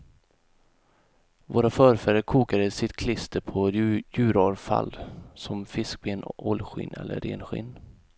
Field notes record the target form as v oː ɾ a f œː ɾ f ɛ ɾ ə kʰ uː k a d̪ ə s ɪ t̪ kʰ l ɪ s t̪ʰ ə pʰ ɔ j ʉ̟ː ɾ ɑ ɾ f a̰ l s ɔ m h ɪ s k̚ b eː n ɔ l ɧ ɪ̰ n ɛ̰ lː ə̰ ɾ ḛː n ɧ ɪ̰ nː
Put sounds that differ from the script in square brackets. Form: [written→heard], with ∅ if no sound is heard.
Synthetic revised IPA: v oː ɾ a f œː ɾ f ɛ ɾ ə kʰ uː k a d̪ ə s ɪ t̪ kʰ l ɪ s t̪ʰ ə pʰ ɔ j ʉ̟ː ɾ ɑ ɾ f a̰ l s ɔ m [h→f] ɪ s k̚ b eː n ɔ l ɧ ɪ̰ n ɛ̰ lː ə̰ ɾ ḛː n ɧ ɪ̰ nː